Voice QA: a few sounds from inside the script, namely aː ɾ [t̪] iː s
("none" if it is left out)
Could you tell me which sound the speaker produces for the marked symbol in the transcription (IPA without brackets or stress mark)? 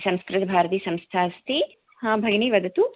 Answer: t̪